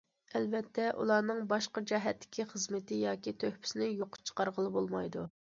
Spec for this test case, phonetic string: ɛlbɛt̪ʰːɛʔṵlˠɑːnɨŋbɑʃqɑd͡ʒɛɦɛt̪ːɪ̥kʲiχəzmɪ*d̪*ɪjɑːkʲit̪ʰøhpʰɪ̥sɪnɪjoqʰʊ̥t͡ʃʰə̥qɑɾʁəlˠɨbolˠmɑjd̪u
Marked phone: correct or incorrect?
incorrect